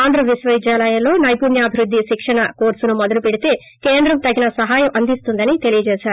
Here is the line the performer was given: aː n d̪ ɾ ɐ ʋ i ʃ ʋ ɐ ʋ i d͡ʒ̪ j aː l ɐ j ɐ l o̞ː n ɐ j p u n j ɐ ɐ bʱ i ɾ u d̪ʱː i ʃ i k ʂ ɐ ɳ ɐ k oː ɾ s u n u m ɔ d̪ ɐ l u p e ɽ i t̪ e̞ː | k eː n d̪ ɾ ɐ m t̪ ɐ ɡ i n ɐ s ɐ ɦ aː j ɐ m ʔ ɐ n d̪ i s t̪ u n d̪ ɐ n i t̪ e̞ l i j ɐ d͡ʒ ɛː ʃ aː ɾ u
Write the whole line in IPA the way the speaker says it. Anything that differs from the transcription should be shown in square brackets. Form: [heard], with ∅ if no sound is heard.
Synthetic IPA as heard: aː n d̪ ɾ ɐ ʋ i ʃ ʋ ɐ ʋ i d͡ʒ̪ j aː l ɐ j ɐ l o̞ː n ɐ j p u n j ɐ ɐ bʱ i ɾ u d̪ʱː i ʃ i k ʂ ɐ ɳ ɐ k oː ɾ s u n u m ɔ d̪ ɐ l u p e ɽ i t̪ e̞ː | k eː n d̪ ɾ ɐ m t̪ ɐ ɡ i n ɐ s ɐ ɦ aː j ɐ m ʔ ɐ n d̪ i s t̪ u n d̪ ɐ n i t̪ e̞ l i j ɐ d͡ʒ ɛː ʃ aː ɾ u